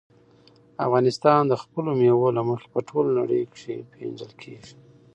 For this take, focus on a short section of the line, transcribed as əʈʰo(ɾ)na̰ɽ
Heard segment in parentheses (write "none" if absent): l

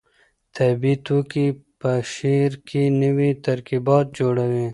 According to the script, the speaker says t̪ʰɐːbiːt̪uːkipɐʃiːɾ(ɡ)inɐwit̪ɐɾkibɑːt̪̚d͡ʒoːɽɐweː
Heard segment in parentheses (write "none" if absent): k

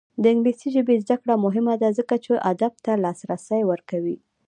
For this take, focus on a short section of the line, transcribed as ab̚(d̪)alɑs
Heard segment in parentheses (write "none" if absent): t̪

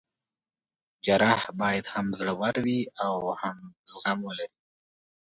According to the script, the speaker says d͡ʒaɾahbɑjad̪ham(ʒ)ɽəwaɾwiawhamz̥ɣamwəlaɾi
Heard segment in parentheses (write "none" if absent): z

